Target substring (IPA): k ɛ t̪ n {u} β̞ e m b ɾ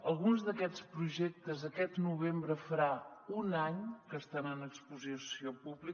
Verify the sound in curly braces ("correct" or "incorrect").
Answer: correct